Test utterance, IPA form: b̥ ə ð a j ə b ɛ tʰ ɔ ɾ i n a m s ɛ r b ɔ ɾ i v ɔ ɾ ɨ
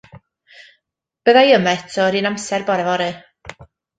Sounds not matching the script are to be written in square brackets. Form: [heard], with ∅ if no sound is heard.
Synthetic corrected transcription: b̥ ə ð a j ə [m] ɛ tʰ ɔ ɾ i n a m s ɛ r b ɔ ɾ [ɛ] v ɔ ɾ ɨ